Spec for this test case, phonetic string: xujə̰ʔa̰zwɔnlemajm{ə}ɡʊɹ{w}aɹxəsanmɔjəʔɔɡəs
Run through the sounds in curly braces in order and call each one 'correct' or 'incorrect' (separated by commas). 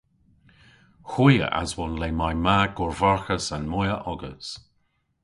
incorrect, incorrect